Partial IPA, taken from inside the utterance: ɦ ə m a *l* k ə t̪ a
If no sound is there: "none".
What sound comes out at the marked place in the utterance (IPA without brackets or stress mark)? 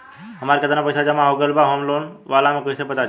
ɾ